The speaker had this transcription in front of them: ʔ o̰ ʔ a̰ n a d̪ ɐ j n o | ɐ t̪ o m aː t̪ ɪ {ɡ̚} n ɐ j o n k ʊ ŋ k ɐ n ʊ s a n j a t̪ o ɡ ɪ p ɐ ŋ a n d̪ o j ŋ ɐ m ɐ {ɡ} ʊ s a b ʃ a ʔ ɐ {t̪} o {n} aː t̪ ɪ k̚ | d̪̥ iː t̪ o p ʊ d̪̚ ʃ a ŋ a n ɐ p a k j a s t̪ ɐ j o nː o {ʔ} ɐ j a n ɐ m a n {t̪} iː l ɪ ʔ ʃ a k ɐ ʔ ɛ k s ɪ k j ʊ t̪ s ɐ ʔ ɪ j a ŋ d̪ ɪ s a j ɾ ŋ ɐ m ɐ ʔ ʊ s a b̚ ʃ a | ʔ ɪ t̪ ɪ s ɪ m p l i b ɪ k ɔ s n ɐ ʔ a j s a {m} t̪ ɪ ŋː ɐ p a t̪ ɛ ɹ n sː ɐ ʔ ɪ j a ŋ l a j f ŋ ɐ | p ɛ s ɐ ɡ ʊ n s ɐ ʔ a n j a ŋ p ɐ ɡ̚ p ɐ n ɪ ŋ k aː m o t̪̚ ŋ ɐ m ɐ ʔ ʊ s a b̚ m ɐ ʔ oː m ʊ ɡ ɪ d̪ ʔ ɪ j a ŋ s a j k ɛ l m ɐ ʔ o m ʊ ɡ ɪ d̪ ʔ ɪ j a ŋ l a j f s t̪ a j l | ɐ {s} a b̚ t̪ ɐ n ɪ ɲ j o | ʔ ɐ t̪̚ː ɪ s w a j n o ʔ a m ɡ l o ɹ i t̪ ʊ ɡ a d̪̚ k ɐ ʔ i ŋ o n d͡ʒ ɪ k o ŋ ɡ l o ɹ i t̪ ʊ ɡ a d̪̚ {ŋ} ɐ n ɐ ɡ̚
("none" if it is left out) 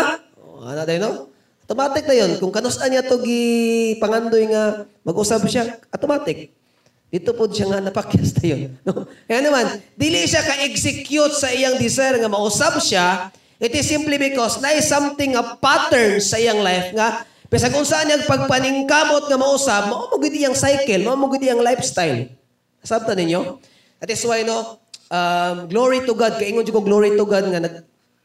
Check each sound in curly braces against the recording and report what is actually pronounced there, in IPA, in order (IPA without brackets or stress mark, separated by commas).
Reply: k̚, ɡ, t̪, m, k, d̪, m, s, ŋ